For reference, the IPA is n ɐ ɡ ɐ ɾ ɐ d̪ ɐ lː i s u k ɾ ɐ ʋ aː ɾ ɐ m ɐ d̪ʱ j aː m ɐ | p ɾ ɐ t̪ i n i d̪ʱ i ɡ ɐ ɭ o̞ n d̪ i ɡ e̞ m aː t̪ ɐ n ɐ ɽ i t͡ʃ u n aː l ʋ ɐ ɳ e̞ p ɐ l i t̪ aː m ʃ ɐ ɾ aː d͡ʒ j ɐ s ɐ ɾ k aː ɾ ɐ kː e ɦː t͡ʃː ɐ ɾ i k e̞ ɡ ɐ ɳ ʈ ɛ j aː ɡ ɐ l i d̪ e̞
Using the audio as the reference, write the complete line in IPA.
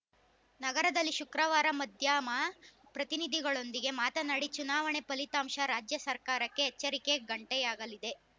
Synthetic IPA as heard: n ɐ ɡ ɐ ɾ ɐ d̪ ɐ lː i ʃ u k ɾ ɐ ʋ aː ɾ ɐ m ɐ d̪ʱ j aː m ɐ | p ɾ ɐ t̪ i n i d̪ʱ i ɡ ɐ ɭ o̞ n d̪ i ɡ e̞ m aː t̪ ɐ n ɐ ɽ i t͡ʃ u n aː ʋ ɐ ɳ e̞ p ɐ l i t̪ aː m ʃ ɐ ɾ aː d͡ʒ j ɐ s ɐ ɾ k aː ɾ ɐ kː e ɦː t͡ʃː ɐ ɾ i k e̞ ɡ ɐ ɳ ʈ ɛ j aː ɡ ɐ l i d̪ e̞

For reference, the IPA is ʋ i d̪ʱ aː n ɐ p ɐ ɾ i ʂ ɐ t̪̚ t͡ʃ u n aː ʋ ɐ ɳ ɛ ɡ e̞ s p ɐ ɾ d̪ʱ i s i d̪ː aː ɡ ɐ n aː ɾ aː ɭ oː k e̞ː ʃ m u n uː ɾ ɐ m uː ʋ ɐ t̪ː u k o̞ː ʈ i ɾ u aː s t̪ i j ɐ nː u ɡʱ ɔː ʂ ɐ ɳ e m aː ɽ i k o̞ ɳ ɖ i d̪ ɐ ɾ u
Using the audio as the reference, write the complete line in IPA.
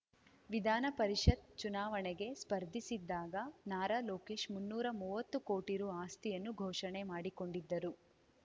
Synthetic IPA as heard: ʋ i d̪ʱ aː n ɐ p ɐ ɾ i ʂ ɐ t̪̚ t͡ʃ u n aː ʋ ɐ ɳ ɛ ɡ e̞ s p ɐ ɾ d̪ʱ i s i d̪ː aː ɡ ɐ n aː ɾ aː l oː k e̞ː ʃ m u nː uː ɾ ɐ m uː ʋ ɐ t̪ː u k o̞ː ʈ i ɾ u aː s t̪ i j ɐ nː u ɡʱ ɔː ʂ ɐ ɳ e m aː ɽ i k o̞ ɳ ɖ i d̪ː ɐ ɾ u

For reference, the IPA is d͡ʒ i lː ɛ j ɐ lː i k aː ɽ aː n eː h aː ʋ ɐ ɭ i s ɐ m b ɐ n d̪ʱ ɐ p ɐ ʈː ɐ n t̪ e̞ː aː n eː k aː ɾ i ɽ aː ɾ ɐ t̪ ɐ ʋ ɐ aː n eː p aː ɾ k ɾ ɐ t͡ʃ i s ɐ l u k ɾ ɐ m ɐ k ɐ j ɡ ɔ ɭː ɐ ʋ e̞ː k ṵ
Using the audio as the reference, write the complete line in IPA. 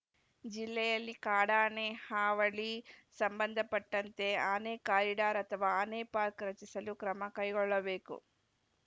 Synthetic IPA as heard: d͡ʒ i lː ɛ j ɐ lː i k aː ɽ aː n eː h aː ʋ ɐ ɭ i s ɐ m b ɐ n d̪ʱ ɐ p ɐ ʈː ɐ n t̪ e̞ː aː n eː k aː ɾ i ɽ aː ɾ ɐ t̪ ɐ ʋ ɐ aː n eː p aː ɾ k ɾ ɐ t͡ʃ i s ɐ l u k ɾ ɐ m ɐ k ɐ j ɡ ɔ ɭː ɐ ʋ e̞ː k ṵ

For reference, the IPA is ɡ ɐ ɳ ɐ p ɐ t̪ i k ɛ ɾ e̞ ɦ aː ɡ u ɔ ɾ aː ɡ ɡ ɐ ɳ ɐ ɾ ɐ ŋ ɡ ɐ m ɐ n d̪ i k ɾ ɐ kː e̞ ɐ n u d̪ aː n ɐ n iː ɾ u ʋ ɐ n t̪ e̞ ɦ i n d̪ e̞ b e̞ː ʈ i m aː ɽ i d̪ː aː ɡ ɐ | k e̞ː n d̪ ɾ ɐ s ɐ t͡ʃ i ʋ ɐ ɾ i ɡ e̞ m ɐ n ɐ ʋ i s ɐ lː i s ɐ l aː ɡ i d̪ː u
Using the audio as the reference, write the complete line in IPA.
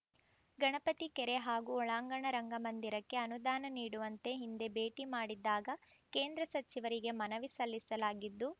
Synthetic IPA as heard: ɡ ɐ ɳ ɐ p ɐ t̪ i k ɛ ɾ e̞ ɦ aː ɡ u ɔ ɭ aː ŋ ɡ ɐ ɳ ɐ ɾ ɐ ŋ ɡ ɐ m ɐ n d̪ i ɾ ɐ kː e̞ ɐ n u d̪ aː n ɐ n iː ɽ u ʋ ɐ n t̪ e̞ ɦ i n d̪ e̞ b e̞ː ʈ i m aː ɽ i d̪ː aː ɡ ɐ | k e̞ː n d̪ ɾ ɐ s ɐ t͡ʃ i ʋ ɐ ɾ i ɡ e̞ m ɐ n ɐ ʋ i s ɐ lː i s ɐ l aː ɡ i d̪ː u

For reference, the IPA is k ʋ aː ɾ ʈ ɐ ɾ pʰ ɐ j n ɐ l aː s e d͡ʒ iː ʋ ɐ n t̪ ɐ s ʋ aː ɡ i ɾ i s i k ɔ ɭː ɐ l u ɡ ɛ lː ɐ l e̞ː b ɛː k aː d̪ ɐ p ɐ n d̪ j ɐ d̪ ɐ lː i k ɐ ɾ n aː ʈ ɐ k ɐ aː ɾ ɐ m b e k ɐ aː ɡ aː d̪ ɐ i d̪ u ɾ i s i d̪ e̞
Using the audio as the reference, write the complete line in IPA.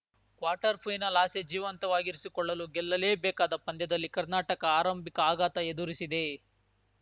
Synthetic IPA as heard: k ʋ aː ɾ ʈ ɐ ɾ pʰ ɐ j n ɐ l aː s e d͡ʒ iː ʋ ɐ n t̪ ɐ ʋ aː ɡ i ɾ i s i k ɔ ɭː ɐ l u ɡ ɛ lː ɐ l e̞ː b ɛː k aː d̪ ɐ p ɐ n d̪ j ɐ d̪ ɐ lː i k ɐ ɾ n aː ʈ ɐ k ɐ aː ɾ ɐ m b i k ɐ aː ɡ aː t̪ ɐ e d̪ u ɾ i s i d̪ e̞

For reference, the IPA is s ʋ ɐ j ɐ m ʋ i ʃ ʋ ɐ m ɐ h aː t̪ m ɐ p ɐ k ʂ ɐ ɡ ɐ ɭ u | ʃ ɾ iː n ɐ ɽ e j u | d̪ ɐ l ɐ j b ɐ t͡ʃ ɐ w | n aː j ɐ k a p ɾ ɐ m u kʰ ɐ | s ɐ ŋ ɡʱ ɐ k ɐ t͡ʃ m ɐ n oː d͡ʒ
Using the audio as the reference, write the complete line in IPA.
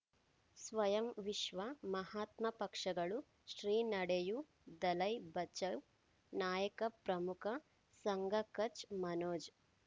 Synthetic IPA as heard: s ʋ ɐ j ɐ m ʋ i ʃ ʋ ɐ m ɐ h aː t̪ m ɐ p ɐ k ʂ ɐ ɡ ɐ ɭ u | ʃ ɾ iː n ɐ ɽ e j u | d̪ ɐ l ɐ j b ɐ t͡ʃ ɐ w | n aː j ɐ k ɐ p ɾ ɐ m u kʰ ɐ | s ɐ ŋ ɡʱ ɐ k ɐ t͡ʃ m ɐ n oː d͡ʒ

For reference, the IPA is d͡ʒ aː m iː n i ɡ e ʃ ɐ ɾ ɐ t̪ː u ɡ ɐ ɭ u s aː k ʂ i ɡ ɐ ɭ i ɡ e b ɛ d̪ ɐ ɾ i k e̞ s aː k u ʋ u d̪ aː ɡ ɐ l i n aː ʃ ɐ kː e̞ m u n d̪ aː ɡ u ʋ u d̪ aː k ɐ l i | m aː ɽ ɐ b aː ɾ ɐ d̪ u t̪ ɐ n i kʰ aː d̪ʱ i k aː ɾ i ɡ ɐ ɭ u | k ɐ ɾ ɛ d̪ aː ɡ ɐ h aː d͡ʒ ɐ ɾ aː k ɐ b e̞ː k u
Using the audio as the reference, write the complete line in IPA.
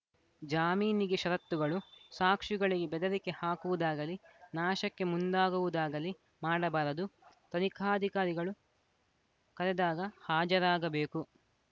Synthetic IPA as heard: d͡ʒ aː m iː n i ɡ e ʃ ɐ ɾ ɐ t̪ː u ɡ ɐ ɭ u s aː k ʂ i ɡ ɐ ɭ i ɡ e b ɛ d̪ ɐ ɾ i k e̞ h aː k u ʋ u d̪ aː ɡ ɐ l i n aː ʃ ɐ kː e̞ m u n d̪ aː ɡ u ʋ u d̪ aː ɡ ɐ l i | m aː ɽ ɐ b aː ɾ ɐ d̪ u t̪ ɐ n i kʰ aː d̪ʱ i k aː ɾ i ɡ ɐ ɭ u | k ɐ ɾ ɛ d̪ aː ɡ ɐ h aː d͡ʒ ɐ ɾ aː ɡ ɐ b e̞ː k u

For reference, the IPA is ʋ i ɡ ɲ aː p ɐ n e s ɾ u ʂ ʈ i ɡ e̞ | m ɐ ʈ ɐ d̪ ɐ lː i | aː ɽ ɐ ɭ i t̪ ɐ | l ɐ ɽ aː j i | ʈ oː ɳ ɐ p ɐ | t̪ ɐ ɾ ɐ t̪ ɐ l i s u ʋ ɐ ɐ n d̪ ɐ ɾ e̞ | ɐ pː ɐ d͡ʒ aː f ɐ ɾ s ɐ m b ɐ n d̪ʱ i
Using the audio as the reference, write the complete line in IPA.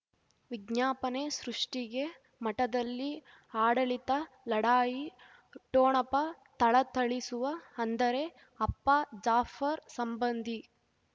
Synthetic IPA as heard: ʋ i ɡ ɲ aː p ɐ n e s ɾ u ʂ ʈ i ɡ e̞ | m ɐ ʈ ɐ d̪ ɐ lː i | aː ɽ ɐ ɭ i t̪ ɐ | l ɐ ɽ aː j i | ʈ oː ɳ ɐ p ɐ | t̪ ɐ ɭ ɐ t̪ ɐ ɭ i s u ʋ ɐ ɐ n d̪ ɐ ɾ e̞ | ɐ pː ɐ d͡ʒ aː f ɐ ɾ s ɐ m b ɐ n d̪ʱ i

